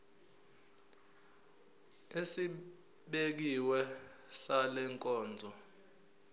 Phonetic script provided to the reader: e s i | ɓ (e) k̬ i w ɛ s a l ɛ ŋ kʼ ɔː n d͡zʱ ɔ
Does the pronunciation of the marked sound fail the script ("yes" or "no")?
no